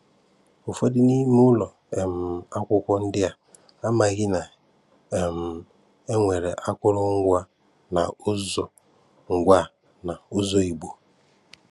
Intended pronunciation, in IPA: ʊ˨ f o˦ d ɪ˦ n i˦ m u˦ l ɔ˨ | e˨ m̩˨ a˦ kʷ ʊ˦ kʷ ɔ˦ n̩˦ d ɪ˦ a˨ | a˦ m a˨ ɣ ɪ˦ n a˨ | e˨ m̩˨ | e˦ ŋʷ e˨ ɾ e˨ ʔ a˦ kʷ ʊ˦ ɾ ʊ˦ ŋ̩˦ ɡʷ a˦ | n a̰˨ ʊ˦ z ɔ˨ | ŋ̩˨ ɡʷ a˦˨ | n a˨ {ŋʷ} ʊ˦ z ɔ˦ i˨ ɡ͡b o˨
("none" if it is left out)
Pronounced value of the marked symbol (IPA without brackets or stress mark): none